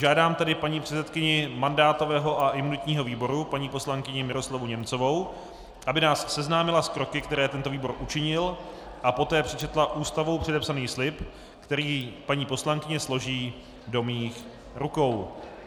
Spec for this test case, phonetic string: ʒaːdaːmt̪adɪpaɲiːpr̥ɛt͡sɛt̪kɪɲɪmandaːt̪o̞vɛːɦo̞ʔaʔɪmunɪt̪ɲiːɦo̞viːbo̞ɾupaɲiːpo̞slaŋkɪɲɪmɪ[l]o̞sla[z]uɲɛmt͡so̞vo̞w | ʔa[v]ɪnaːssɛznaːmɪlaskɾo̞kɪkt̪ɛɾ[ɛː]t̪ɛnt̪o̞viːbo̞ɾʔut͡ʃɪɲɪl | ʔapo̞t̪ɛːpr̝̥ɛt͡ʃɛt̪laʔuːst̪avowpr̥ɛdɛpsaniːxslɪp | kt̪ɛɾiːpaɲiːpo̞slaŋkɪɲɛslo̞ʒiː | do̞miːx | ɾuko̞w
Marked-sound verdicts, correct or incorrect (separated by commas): incorrect, incorrect, incorrect, correct